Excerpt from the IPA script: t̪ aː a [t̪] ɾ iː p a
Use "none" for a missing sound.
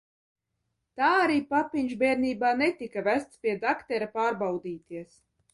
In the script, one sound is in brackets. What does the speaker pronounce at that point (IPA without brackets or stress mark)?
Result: none